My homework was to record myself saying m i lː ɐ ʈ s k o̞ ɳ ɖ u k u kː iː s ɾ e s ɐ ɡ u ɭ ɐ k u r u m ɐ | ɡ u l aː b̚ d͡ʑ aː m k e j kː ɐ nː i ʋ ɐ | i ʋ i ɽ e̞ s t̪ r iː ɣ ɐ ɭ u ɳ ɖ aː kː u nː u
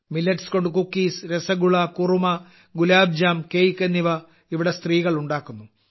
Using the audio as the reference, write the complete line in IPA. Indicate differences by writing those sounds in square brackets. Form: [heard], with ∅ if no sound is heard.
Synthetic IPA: m i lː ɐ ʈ s k o̞ ɳ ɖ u k u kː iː s ɾ e s ɐ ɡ u ɭ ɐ k u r u m ɐ | ɡ u l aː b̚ d͡ʑ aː m k e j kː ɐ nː i ʋ ɐ | i ʋ i ɽ e̞ s t̪ r iː ɣ ɐ ɭ u ɳ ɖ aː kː u nː u